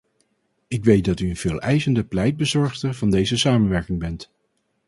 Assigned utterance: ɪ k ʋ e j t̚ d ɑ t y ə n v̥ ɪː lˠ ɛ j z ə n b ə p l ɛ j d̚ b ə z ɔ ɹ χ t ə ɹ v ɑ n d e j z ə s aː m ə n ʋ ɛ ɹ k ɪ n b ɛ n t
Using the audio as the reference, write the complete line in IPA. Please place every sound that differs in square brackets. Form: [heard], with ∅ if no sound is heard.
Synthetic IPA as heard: ɪ k ʋ e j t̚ d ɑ t y ə n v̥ ɪː lˠ ɛ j z ə n [d] ə p l ɛ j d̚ b ə z ɔ ɹ χ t ə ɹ v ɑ n d e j z ə s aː m ə n ʋ ɛ ɹ k ɪ [ŋ] b ɛ n t